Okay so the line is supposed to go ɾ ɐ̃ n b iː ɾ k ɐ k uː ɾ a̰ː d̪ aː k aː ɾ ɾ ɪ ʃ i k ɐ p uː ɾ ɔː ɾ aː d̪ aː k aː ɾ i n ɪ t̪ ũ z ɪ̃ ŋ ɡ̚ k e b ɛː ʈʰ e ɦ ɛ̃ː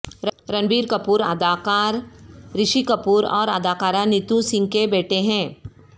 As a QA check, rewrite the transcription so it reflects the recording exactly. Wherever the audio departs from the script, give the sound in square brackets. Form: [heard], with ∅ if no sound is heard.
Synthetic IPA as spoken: ɾ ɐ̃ n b iː ɾ k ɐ [p] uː ɾ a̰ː d̪ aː k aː ɾ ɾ ɪ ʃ i k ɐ p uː ɾ ɔː ɾ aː d̪ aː k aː ɾ [a] n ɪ t̪ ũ [s] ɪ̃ ŋ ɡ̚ k e b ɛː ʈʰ e ɦ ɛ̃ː